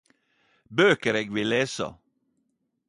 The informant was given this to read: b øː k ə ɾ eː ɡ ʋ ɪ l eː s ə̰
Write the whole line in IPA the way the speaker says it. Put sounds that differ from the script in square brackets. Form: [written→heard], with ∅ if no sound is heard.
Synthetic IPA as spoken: b øː k ə ɾ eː ɡ ʋ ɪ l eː s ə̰